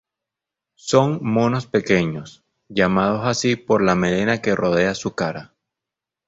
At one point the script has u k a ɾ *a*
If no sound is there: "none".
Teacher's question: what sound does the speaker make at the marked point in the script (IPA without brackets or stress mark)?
a